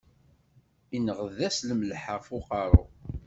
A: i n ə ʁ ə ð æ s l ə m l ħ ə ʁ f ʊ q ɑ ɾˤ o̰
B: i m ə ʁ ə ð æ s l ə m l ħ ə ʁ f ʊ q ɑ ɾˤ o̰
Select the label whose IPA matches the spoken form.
A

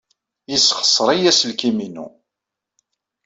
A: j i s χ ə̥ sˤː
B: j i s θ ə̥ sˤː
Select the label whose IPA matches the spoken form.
A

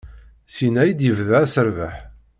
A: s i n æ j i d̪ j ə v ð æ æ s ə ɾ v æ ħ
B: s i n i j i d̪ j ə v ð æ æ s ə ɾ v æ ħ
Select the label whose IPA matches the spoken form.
A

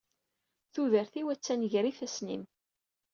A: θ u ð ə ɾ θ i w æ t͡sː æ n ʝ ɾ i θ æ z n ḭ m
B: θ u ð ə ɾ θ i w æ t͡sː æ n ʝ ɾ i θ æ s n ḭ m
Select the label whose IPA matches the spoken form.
B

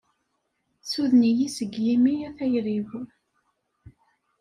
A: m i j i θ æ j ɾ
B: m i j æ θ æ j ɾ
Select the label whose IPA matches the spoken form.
B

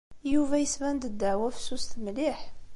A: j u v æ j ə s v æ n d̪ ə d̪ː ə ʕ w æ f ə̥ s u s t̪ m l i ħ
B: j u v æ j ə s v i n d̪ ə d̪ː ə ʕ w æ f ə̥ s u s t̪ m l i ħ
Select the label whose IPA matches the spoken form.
A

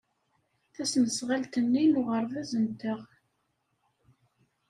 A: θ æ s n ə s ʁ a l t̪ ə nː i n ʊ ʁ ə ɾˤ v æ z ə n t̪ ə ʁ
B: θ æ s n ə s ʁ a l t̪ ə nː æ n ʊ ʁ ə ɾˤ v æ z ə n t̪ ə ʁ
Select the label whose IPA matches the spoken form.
A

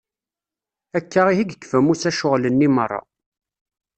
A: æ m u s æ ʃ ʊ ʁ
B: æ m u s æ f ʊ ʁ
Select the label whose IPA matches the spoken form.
A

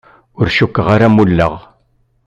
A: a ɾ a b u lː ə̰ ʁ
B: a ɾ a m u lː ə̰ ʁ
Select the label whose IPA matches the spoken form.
B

